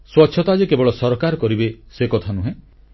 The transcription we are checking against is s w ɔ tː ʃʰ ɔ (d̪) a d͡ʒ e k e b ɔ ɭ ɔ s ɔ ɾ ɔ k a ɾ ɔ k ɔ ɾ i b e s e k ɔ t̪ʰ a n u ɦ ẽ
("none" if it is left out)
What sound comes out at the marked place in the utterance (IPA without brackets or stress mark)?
t̪